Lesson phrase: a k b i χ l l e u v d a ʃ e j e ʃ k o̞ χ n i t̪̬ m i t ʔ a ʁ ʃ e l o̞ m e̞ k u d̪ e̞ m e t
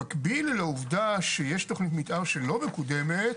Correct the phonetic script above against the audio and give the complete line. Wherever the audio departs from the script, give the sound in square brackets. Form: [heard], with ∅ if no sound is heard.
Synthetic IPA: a k b i [∅] l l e u v d a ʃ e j e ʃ [t] o̞ χ n i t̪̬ m i t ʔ a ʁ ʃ e l o̞ m e̞ k u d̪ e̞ m e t